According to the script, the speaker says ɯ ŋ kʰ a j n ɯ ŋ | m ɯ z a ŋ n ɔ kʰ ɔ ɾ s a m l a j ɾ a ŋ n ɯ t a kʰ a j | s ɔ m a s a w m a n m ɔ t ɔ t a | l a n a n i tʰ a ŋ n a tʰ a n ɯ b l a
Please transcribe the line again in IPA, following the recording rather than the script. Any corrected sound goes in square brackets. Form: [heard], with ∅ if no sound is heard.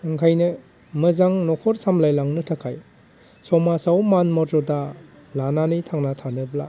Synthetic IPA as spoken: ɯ ŋ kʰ a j n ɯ [∅] | m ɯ z a ŋ n ɔ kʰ ɔ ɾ s a m l a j [l] a ŋ n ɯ [tʰ] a kʰ a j | s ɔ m a s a w m a n m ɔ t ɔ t a | l a n a n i tʰ a ŋ n a tʰ a n ɯ b l a